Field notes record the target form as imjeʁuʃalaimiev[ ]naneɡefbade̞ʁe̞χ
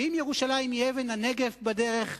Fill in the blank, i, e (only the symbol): e